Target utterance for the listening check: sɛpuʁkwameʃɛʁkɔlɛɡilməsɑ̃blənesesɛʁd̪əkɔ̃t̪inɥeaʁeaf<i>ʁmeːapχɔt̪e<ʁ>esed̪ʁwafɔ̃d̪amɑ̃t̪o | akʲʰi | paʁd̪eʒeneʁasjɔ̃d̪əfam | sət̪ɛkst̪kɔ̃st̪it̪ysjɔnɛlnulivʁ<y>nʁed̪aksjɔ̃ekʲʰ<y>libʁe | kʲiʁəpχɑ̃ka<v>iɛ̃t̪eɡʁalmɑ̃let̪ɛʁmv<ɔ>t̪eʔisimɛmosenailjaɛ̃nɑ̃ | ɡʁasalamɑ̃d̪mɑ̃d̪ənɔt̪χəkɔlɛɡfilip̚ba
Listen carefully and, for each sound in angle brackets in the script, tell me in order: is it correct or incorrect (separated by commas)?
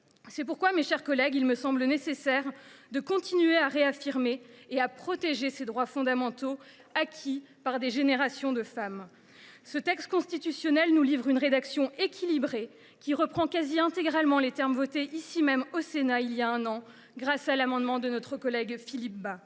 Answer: correct, incorrect, correct, incorrect, incorrect, correct